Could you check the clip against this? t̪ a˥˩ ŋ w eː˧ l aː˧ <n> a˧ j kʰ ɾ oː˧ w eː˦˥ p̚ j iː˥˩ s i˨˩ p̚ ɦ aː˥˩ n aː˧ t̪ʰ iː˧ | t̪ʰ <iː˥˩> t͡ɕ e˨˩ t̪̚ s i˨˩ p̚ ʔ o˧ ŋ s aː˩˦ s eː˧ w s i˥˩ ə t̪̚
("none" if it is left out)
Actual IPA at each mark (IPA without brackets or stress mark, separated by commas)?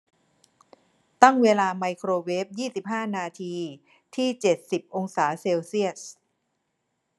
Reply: m, iː˥˩